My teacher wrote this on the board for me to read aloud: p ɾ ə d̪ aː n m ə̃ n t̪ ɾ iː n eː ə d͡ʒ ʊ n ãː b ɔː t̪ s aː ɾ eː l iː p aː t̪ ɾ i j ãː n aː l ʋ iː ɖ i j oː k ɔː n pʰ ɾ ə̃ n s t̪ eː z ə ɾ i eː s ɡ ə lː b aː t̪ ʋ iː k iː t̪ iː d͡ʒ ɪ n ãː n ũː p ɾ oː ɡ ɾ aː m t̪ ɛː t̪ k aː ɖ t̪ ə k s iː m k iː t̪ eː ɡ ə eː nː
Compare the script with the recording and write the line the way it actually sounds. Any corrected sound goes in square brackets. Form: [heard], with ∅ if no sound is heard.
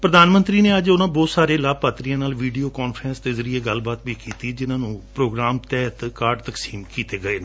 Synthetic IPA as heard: p ɾ ə d̪ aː n m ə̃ n t̪ ɾ iː n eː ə d͡ʒ ʊ n ãː b ɔː t̪ s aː ɾ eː l [aː] p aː t̪ ɾ i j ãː n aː l ʋ iː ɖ i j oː k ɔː n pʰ ɾ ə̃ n s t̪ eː z ə ɾ i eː [∅] ɡ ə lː b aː t̪ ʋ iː k iː t̪ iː d͡ʒ ɪ n ãː n ũː p ɾ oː ɡ ɾ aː m t̪ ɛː t̪ k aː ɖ t̪ ə k s iː m k iː t̪ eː ɡ ə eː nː